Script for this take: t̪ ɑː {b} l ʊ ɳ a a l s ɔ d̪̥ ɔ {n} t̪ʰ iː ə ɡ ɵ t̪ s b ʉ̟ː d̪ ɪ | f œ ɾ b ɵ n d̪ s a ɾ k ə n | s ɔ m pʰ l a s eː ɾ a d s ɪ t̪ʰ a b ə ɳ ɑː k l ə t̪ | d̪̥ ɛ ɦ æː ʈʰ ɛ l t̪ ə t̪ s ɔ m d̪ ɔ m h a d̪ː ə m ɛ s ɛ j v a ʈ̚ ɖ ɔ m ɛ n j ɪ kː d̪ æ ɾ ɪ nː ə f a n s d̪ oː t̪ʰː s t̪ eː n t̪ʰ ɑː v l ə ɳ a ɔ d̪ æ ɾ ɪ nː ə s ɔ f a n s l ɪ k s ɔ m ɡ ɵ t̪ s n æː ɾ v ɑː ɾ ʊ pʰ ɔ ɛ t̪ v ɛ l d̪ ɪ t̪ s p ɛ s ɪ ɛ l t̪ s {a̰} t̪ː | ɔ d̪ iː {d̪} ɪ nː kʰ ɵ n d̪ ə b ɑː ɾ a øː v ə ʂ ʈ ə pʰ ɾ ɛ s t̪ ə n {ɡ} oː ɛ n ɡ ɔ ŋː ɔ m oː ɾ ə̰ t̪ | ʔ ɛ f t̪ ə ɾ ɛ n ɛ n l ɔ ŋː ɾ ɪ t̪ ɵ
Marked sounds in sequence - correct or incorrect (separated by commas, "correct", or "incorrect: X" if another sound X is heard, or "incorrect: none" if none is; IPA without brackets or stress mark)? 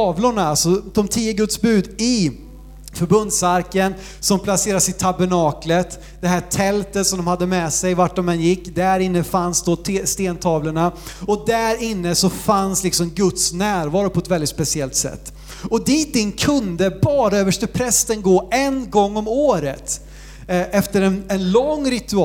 incorrect: v, incorrect: m, incorrect: ɛ̰, incorrect: t̪, correct